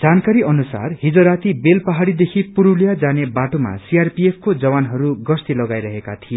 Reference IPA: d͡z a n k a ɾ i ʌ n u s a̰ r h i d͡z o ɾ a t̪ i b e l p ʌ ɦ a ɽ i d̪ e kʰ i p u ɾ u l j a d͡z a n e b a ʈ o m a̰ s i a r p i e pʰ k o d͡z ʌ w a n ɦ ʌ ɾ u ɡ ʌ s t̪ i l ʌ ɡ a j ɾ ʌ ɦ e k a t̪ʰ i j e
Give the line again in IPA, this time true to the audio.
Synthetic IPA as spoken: d͡z a n k a ɾ i ʌ n u s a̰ r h i d͡z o ɾ a t̪ i b e l p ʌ ɦ a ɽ i d̪ e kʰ i p u ɾ u l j a d͡z a n e b a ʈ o m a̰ s i a r p i e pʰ k o d͡z ʌ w a n ɦ ʌ ɾ u ɡ ʌ s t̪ i l ʌ ɡ a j ɾ ʌ ɦ e k a t̪ʰ i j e